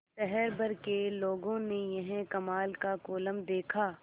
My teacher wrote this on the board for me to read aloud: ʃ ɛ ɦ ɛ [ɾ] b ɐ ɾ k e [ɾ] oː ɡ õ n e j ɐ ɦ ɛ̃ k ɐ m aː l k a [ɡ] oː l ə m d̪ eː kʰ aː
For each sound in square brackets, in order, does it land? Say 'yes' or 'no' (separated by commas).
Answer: yes, no, no